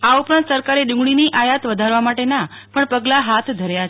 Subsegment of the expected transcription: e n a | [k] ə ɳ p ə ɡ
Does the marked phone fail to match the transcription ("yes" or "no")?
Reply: yes